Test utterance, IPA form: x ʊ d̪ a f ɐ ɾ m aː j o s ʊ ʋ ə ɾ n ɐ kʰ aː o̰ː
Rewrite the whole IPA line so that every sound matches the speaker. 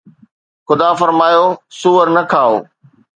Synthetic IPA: x ʊ d̪ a f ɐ ɾ m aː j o s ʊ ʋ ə ɾ n ɐ kʰ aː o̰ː